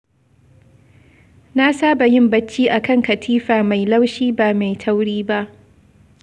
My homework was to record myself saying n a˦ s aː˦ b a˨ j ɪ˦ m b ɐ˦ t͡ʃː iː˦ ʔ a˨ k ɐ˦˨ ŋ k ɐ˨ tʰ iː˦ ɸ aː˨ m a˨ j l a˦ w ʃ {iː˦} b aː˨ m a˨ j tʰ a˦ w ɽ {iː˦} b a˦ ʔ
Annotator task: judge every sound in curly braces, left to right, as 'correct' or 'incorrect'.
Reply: correct, correct

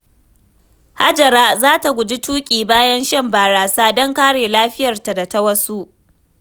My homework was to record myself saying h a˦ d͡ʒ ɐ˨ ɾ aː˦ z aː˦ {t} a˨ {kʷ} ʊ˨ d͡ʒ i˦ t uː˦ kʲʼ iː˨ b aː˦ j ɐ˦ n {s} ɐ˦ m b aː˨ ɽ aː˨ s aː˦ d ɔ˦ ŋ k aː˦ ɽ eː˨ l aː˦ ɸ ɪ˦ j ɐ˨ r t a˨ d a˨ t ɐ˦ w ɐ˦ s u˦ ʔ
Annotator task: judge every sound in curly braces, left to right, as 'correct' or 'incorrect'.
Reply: correct, incorrect: ɡʷ, incorrect: ʃ

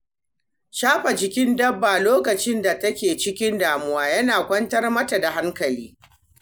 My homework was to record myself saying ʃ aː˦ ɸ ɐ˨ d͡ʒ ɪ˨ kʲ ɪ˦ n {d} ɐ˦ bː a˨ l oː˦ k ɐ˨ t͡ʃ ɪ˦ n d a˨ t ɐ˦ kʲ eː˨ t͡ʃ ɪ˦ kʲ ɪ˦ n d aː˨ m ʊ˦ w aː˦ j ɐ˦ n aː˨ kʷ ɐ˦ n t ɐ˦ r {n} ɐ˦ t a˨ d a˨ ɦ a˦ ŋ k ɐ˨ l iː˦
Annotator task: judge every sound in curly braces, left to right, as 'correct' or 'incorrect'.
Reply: correct, incorrect: m

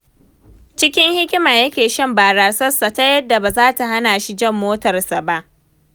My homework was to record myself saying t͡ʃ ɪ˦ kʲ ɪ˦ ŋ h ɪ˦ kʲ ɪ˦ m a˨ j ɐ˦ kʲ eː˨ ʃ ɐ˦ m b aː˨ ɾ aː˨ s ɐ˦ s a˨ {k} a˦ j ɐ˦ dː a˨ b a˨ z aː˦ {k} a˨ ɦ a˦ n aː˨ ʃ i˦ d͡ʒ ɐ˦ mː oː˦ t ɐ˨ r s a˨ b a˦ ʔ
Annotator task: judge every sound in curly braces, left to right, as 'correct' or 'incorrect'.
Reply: incorrect: t, incorrect: t

